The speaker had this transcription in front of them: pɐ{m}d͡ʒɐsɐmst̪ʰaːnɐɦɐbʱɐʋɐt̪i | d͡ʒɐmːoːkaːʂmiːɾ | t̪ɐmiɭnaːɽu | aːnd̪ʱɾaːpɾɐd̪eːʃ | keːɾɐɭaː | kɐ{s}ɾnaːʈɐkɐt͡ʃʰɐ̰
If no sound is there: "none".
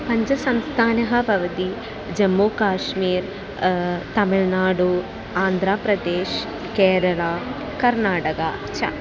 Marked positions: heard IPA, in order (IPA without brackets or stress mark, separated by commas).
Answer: ɲ, none